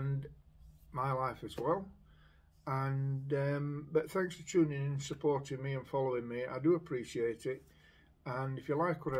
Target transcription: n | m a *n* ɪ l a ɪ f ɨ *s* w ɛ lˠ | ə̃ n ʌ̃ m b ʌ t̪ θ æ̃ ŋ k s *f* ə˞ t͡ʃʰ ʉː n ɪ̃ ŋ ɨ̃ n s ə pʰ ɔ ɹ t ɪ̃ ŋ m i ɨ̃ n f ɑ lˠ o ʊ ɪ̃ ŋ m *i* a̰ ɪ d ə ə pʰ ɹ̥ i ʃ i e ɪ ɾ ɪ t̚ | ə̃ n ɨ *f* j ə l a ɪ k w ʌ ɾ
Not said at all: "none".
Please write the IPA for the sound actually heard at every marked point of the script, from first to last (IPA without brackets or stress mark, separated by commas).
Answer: none, z, f, i, f